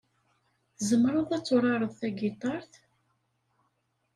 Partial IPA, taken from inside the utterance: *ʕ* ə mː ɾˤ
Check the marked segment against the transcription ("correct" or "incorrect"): incorrect